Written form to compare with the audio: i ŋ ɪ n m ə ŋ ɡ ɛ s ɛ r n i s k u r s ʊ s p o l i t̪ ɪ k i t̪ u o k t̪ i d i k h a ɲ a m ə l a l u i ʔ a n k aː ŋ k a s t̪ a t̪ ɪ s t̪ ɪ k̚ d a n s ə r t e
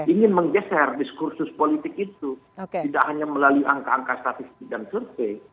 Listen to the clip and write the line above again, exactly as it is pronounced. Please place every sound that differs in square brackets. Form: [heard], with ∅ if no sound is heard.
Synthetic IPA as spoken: i ŋ ɪ n m ə ŋ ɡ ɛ s ɛ r [d] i s k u r s ʊ s p o l i t̪ ɪ k i t̪ u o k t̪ i d [a] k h a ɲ a m ə l a l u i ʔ a [ŋ] k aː ŋ k a s t̪ a t̪ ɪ s t̪ ɪ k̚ d a n s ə r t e